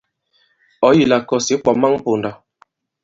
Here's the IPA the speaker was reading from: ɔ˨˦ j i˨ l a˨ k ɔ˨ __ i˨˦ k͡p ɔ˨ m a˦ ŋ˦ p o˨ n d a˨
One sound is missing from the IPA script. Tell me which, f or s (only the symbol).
s